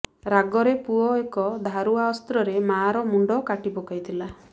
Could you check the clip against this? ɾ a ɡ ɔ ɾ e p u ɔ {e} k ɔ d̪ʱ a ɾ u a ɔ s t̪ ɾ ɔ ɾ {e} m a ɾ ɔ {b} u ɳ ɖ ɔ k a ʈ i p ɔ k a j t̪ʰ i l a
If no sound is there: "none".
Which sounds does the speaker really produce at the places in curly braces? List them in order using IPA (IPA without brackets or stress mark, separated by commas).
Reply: e, e, m